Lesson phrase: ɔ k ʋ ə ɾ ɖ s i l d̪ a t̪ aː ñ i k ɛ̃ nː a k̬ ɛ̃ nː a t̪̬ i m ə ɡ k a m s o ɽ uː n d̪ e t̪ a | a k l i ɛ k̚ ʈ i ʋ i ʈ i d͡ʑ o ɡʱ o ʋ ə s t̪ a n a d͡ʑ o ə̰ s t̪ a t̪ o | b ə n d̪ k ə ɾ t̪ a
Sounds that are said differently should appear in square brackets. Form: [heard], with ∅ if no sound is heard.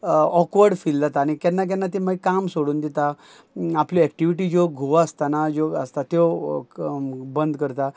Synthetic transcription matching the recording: ɔ k ʋ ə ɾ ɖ [f] i l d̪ a t̪ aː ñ i k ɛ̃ nː a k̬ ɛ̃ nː a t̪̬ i m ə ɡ k a m s o ɽ uː n d̪ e t̪ a | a [p] l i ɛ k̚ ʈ i ʋ i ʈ i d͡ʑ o ɡʱ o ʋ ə s t̪ a n a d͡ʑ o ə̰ s t̪ a t̪ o | b ə n d̪ k ə ɾ t̪ a